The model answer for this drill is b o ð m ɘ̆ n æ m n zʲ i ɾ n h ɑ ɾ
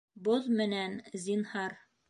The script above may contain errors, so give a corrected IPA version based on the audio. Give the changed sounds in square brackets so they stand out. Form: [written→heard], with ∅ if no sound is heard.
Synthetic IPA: b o ð m ɘ̆ n æ [m→∅] n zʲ i [ɾ→∅] n h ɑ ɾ